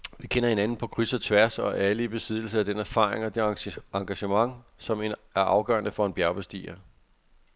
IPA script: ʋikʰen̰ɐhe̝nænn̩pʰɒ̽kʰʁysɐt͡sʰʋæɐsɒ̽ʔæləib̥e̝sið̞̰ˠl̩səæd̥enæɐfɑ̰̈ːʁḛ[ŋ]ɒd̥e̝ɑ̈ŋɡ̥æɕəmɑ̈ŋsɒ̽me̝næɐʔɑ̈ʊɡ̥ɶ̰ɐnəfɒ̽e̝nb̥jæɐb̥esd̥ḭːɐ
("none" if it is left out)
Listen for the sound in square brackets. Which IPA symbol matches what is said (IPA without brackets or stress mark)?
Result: ŋ